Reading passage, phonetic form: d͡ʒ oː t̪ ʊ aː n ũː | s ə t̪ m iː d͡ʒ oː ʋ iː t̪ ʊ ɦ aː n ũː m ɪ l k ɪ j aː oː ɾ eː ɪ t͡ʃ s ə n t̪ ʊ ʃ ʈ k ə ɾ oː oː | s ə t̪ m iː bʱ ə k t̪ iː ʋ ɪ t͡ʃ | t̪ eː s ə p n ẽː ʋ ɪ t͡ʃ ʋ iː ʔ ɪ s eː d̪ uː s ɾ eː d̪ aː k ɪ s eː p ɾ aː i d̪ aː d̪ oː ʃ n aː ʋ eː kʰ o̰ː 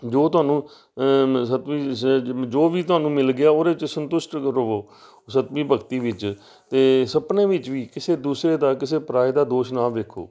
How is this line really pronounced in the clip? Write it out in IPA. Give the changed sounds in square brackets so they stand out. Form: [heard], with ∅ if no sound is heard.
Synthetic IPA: d͡ʒ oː t̪ ʊ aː n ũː | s ə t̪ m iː d͡ʒ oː ʋ iː t̪ ʊ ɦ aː n ũː m ɪ l [ɡ] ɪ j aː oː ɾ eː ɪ t͡ʃ s ə n t̪ ʊ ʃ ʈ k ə ɾ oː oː | s ə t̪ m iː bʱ ə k t̪ iː ʋ ɪ t͡ʃ | t̪ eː s ə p n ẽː ʋ ɪ t͡ʃ ʋ iː [k] ɪ s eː d̪ uː s ɾ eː d̪ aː k ɪ s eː p ɾ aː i d̪ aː d̪ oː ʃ n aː ʋ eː kʰ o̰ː